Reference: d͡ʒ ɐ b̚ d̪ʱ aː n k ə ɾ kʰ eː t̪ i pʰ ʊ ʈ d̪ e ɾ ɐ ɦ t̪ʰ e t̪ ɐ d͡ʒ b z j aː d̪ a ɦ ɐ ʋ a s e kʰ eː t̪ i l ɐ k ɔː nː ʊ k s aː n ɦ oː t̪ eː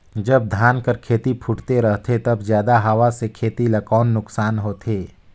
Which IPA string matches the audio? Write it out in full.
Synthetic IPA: d͡ʒ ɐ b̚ d̪ʱ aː n k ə ɾ kʰ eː t̪ i pʰ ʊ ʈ t̪ e ɾ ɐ ɦ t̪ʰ e t̪ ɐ b z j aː d̪ a ɦ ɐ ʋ a s e kʰ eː t̪ i l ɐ k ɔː nː ʊ k s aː n ɦ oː t̪ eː

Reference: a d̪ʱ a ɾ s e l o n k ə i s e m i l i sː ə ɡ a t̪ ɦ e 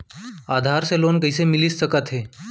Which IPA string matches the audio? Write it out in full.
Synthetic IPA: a d̪ʱ a ɾ s e l o n k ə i s e m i l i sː ə k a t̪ ɦ e

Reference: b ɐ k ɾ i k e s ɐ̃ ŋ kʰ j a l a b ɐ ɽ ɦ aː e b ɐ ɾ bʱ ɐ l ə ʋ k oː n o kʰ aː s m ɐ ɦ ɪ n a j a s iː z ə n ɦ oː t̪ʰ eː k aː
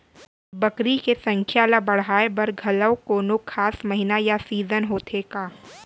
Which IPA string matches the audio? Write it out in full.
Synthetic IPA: b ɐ k ɾ i k e s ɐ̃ ŋ kʰ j a l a b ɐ ɽ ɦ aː e b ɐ ɾ ɡʱ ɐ l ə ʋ k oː n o kʰ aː s m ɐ ɦ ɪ n a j a s iː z ə n ɦ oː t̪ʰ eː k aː

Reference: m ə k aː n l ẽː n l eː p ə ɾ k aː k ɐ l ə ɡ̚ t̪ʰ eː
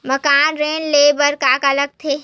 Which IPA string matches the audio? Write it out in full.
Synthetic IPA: m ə k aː n ɾ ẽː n l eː b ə ɾ k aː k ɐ l ə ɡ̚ t̪ʰ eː

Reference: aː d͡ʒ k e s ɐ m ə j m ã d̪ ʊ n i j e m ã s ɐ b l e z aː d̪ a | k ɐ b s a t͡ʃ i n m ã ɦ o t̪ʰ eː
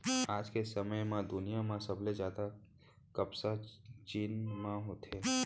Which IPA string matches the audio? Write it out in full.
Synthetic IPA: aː d͡ʒ k e s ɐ m ə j m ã d̪ ʊ n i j a m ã s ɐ b l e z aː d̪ a | k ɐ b s a t͡ʃ iː n m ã ɦ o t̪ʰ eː

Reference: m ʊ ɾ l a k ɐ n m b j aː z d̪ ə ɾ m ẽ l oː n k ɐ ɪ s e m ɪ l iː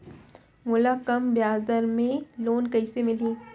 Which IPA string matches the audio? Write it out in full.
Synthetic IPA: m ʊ l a k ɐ m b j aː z d̪ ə ɾ m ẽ l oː n k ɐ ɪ s e m ɪ l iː

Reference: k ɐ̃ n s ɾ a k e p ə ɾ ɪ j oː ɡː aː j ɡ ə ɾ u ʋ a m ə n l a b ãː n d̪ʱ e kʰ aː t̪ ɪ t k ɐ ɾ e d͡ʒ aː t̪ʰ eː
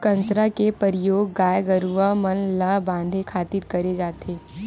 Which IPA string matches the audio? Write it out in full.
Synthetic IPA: k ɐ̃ n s ɾ a k e p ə ɾ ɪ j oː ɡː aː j ɡ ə ɾ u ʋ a m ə n l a b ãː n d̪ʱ e kʰ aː t̪ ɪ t k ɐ ɾ e d͡ʒ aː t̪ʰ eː

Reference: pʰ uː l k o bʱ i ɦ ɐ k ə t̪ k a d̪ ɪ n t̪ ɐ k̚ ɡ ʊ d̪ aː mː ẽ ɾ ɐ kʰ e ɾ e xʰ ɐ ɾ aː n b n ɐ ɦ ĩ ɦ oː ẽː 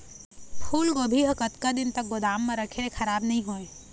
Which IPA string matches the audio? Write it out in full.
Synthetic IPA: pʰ uː l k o bʱ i ɦ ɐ k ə t̪ k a d̪ ɪ n t̪ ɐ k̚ ɡ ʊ d̪ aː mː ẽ ɾ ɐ kʰ e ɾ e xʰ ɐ ɾ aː b n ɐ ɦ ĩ ɦ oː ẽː

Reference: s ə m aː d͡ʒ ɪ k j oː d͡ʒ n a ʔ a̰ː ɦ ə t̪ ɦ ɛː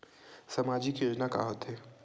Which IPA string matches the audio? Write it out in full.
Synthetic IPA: s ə m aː d͡ʒ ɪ k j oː d͡ʒ n a k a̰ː ɦ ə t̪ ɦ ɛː

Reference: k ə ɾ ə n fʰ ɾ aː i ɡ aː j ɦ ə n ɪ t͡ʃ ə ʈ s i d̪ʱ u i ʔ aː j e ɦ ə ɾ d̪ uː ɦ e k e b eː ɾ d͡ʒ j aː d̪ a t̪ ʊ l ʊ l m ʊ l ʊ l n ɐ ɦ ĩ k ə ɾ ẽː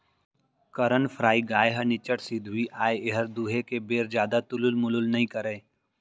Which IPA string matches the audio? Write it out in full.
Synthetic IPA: k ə ɾ ə n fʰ ɾ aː i ɡ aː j ɦ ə n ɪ t͡ʃ ə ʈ s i d̪ʱ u i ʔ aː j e ɦ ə ɾ d̪ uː ɦ e k e b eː ɾ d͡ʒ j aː d̪ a t̪ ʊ l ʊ l m ʊ l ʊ l n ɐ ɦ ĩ k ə ɾ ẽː

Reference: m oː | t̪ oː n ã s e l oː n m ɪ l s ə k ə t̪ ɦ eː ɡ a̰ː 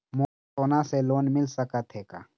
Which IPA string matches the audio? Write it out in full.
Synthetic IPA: m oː | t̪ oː n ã s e l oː n m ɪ l s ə k ə t̪ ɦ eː k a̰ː

